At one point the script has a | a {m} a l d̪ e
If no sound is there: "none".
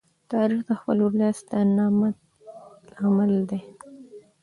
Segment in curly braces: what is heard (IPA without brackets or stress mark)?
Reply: m